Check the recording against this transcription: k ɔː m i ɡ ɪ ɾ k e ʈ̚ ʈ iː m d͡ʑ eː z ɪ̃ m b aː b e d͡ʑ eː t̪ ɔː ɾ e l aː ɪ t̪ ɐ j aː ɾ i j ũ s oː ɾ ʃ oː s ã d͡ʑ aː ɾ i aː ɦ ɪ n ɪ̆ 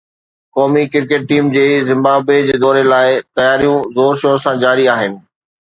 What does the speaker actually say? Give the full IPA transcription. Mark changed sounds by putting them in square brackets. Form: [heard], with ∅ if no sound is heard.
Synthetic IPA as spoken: k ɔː m i [k] ɪ ɾ k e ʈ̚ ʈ iː m d͡ʑ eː z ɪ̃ m b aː b e d͡ʑ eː [d̪] ɔː ɾ e l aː ɪ t̪ ɐ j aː ɾ i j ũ [z] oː ɾ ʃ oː s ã d͡ʑ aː ɾ i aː ɦ ɪ n ɪ̆

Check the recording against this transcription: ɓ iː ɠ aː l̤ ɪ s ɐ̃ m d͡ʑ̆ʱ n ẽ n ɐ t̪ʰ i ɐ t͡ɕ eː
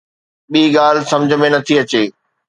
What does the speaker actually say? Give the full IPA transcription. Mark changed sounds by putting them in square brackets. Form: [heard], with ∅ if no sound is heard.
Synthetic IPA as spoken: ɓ iː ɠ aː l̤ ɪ s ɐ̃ m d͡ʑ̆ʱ [m] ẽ n ɐ t̪ʰ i ɐ t͡ɕ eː

